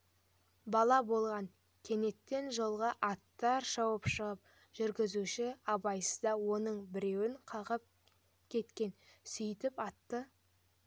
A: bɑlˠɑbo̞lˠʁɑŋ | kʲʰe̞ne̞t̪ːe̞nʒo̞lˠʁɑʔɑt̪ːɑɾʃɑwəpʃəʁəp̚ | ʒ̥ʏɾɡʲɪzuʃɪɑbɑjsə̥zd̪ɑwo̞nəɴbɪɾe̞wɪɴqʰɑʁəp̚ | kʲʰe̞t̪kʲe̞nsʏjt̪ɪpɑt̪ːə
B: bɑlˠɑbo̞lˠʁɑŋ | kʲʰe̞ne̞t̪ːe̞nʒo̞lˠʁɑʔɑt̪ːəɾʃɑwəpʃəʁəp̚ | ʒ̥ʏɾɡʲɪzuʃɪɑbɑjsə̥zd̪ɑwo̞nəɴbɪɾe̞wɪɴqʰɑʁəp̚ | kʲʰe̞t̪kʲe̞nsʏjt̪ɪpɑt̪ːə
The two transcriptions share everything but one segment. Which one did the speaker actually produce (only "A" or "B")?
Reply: A